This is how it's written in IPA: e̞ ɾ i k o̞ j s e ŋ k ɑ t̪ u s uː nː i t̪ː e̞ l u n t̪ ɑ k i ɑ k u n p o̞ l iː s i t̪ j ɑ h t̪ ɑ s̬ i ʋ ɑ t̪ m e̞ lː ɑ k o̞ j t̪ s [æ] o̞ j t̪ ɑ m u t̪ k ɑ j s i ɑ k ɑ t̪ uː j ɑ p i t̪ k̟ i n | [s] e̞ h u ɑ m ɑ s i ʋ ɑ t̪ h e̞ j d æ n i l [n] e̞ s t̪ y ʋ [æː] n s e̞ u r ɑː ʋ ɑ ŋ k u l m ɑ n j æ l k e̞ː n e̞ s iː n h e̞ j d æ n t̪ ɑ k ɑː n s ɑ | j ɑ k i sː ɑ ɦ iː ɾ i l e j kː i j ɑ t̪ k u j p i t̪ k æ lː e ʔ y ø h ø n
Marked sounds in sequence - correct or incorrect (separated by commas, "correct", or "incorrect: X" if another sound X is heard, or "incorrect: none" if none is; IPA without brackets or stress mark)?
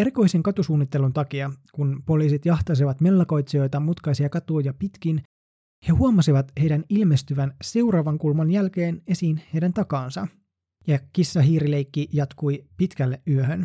incorrect: i, incorrect: h, incorrect: m, incorrect: æ